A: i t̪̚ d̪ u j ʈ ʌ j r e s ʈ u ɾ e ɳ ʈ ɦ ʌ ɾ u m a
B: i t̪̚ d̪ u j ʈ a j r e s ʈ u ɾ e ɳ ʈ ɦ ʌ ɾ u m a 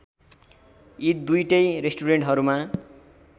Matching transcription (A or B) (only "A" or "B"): A